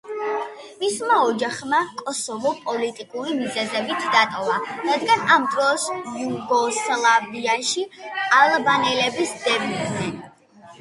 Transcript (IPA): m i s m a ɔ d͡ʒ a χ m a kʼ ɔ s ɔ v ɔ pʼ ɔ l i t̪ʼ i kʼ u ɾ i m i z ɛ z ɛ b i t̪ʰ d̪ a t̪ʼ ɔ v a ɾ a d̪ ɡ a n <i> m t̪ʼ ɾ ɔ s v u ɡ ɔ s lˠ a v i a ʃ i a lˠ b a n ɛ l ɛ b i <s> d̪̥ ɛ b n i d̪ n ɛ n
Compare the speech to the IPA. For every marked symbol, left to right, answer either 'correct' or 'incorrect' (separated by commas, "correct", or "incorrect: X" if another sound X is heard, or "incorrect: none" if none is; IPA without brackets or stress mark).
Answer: incorrect: a, correct